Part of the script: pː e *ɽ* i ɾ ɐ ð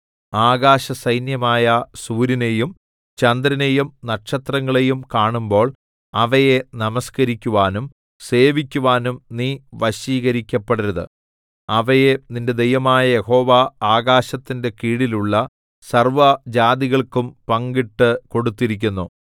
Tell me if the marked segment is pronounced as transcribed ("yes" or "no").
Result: yes